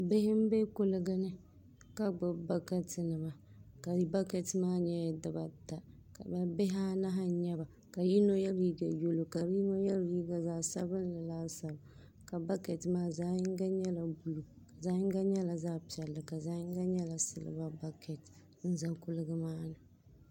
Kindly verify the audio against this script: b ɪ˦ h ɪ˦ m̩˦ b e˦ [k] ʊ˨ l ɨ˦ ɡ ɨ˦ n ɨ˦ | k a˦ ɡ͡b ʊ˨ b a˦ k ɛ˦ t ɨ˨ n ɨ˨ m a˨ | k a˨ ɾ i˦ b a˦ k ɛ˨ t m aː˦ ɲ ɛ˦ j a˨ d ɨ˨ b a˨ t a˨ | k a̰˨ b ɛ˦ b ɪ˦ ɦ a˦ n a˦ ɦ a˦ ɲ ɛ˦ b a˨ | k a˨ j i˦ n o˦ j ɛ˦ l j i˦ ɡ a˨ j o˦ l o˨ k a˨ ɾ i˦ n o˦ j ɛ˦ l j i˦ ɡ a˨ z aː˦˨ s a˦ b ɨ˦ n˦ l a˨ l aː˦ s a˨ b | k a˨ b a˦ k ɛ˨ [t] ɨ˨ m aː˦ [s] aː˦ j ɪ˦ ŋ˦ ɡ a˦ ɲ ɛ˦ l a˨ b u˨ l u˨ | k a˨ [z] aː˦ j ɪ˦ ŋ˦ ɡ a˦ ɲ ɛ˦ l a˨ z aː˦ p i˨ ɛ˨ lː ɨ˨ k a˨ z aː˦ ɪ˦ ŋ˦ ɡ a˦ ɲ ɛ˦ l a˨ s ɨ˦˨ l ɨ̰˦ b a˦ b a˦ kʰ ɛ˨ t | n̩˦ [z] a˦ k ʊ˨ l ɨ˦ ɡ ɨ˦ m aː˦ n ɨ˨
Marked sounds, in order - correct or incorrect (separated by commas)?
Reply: correct, correct, incorrect, correct, correct